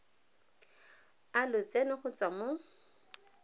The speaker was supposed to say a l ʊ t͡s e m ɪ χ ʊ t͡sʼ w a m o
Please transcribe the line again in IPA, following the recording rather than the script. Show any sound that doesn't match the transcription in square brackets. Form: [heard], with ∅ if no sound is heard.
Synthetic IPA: a l ʊ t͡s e [n] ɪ χ ʊ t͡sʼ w a m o